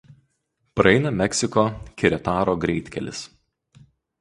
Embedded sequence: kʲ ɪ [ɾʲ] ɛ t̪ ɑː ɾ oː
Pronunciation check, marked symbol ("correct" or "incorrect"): correct